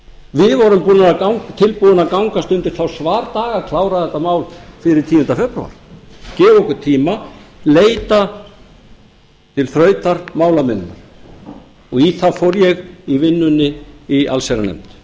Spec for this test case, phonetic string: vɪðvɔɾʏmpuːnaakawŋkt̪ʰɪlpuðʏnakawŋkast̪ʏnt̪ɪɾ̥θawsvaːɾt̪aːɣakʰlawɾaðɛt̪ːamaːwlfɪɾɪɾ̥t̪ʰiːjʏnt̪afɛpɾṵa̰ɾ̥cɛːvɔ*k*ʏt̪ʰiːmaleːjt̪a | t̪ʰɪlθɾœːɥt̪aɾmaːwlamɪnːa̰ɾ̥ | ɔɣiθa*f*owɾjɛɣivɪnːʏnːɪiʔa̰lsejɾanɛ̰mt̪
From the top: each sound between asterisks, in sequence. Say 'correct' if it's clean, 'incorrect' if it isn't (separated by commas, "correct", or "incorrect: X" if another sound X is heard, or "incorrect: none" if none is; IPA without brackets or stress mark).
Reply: correct, correct